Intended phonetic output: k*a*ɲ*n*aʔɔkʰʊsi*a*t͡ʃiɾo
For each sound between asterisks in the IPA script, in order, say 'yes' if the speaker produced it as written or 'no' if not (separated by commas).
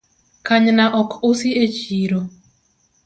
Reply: yes, yes, no